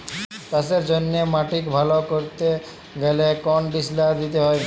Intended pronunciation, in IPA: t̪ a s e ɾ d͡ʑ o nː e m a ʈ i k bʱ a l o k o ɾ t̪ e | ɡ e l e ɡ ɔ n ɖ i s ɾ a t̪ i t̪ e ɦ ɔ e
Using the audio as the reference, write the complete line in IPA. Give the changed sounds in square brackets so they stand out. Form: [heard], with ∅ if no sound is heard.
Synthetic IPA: t̪ a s e ɾ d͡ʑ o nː e m a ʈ i k bʱ a l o k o ɾ t̪ e | ɡ e l e [k] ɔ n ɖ i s [l] a [d̪] i t̪ e ɦ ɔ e